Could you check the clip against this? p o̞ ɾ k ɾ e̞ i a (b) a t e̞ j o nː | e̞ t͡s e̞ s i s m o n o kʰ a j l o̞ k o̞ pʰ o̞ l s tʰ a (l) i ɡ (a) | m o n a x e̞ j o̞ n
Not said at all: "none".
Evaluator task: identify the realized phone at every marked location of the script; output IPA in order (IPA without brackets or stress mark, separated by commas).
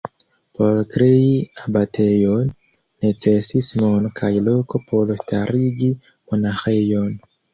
b, ɾ, i